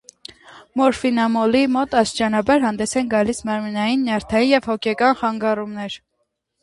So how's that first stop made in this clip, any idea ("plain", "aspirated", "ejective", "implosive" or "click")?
plain